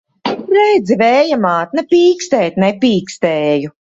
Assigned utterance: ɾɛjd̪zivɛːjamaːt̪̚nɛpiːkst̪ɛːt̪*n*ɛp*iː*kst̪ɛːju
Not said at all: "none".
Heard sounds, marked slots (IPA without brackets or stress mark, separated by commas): n, iː